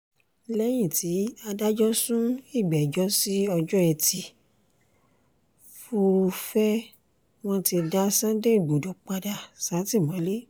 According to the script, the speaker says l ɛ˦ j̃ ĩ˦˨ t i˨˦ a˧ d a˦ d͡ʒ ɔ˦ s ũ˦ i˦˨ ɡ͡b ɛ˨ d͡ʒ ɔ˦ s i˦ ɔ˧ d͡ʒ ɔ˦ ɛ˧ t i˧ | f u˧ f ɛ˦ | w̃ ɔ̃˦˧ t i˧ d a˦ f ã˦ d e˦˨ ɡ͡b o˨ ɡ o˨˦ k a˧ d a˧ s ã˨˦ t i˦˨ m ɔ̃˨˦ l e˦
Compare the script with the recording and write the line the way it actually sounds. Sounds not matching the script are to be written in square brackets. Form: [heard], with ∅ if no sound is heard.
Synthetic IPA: l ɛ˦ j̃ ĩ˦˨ t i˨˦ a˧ d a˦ d͡ʒ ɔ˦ s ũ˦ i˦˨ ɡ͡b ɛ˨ d͡ʒ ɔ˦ s i˦ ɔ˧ d͡ʒ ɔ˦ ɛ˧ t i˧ | f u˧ f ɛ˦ | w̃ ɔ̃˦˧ t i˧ d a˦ [s] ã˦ d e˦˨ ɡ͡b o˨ [d] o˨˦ [k͡p] a˧ d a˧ s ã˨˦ t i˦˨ m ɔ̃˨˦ l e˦

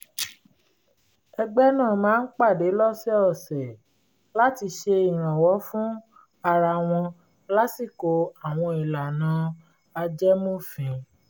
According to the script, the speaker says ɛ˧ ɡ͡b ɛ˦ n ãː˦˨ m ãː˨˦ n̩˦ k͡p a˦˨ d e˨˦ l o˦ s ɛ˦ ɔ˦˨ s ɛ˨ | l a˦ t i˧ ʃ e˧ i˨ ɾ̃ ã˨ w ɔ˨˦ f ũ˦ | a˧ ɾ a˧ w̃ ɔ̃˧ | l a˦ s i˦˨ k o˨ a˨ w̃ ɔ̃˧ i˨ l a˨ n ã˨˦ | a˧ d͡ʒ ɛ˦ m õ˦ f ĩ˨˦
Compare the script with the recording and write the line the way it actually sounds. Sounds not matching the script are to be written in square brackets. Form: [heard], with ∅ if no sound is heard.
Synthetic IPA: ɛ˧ ɡ͡b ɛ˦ n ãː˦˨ m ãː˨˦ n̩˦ k͡p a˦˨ d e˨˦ l [ɔ˦] s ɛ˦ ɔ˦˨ s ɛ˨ | l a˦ t i˧ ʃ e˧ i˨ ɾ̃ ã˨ w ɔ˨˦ f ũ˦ | a˧ ɾ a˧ w̃ ɔ̃˧ | l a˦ s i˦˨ k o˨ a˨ w̃ ɔ̃˧ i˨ l a˨ n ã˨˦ | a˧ d͡ʒ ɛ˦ m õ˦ f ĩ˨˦

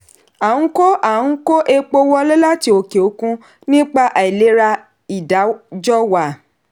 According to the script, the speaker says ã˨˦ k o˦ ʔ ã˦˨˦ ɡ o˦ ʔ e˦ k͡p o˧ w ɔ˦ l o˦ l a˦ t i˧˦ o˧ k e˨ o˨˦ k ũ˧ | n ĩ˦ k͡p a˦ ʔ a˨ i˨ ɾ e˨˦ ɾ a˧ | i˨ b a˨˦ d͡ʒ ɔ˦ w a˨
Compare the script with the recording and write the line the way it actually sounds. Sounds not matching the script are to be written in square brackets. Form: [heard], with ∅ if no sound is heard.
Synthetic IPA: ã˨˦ k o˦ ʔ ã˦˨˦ [k] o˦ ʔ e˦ k͡p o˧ w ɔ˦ l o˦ l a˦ t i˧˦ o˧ k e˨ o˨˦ k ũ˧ | n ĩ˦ k͡p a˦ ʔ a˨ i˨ [l] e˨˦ ɾ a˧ | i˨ [d] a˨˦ d͡ʒ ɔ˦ w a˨

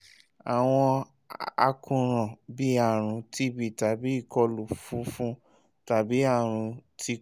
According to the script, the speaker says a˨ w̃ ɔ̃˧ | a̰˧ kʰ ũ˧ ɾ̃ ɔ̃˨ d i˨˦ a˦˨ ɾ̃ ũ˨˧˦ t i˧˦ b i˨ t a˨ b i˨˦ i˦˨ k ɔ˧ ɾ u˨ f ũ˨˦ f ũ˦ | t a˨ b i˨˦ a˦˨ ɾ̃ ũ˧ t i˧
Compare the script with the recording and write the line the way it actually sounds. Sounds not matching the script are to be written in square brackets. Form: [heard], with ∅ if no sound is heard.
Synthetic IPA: a˨ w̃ ɔ̃˧ | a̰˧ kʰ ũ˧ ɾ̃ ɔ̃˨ [b] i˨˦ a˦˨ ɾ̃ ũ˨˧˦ t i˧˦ b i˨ t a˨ b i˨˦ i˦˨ k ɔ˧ [l] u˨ f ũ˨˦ f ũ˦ | t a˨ b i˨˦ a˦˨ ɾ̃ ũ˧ t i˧

